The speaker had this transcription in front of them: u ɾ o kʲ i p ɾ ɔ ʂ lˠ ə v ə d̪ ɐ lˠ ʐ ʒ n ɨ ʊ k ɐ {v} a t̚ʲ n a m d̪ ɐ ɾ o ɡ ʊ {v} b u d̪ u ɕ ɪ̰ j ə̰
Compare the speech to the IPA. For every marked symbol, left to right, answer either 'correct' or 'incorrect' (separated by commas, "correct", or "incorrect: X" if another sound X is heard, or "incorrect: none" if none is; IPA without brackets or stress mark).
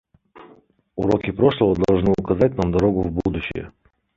incorrect: z, correct